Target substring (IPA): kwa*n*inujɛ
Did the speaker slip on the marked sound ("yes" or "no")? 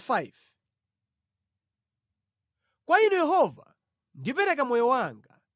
yes